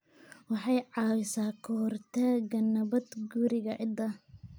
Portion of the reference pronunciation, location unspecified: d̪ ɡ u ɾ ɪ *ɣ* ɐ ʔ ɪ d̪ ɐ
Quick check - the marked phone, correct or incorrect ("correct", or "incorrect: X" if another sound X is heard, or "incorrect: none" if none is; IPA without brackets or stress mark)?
correct